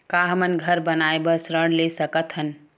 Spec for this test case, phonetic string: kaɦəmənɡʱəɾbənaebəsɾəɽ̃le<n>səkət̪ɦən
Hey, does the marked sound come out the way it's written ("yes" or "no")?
no